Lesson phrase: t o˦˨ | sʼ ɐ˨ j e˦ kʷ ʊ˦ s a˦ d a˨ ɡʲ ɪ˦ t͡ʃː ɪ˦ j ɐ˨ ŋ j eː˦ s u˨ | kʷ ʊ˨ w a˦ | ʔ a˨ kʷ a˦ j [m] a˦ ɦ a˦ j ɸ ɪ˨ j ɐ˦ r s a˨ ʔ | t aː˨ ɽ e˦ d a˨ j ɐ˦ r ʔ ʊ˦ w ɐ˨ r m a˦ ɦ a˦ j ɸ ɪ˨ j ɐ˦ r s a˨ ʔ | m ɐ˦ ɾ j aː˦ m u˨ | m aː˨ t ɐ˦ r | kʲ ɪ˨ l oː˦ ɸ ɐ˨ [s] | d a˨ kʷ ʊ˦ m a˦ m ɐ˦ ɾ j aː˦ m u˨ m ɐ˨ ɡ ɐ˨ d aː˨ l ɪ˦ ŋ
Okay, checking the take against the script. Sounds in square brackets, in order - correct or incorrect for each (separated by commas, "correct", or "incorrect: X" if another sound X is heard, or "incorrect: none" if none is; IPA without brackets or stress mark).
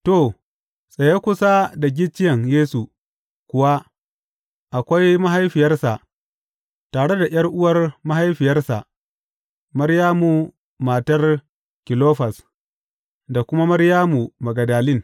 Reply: correct, correct